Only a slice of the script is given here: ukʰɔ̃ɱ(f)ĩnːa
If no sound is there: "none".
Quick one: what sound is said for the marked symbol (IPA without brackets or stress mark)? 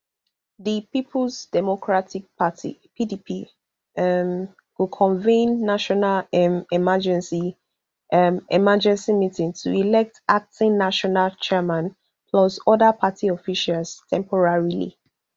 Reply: v